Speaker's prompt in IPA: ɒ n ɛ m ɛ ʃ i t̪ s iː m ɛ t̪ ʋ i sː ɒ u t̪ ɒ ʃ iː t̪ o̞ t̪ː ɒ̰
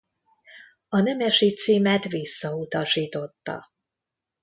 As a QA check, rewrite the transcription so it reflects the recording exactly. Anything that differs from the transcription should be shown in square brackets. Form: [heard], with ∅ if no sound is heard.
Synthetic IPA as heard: ɒ n ɛ m ɛ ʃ i t̪ s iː m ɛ t̪ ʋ i sː ɒ u t̪ ɒ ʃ iː t̪ o̞ t̪ː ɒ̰